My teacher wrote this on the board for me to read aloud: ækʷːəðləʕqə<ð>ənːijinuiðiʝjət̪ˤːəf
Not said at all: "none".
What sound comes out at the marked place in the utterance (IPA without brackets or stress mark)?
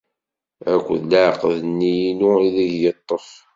ð